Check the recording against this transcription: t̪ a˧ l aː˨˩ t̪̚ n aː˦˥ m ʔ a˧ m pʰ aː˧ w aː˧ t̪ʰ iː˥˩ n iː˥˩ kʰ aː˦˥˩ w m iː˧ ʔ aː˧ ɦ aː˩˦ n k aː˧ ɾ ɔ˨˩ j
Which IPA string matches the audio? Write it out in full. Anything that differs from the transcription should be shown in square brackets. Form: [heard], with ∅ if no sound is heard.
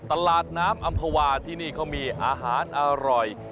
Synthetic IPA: t̪ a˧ l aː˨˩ t̪̚ n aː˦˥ m ʔ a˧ m pʰ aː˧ w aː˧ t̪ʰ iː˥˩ n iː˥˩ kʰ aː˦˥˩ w m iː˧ ʔ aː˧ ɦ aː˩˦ n [ʔ] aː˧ ɾ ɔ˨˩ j